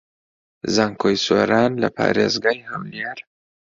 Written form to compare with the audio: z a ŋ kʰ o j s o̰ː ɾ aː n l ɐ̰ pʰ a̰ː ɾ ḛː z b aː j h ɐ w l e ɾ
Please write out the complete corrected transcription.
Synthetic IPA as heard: z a ŋ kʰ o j s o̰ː ɾ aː n l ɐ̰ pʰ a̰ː ɾ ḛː z ɡ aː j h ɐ w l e ɾ

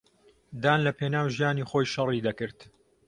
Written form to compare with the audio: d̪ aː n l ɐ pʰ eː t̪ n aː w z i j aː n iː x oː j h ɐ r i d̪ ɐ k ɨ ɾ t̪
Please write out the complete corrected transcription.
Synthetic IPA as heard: d̪ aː n l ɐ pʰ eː n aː w ʒ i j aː n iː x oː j ʃ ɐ r i d̪ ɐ k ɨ ɾ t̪

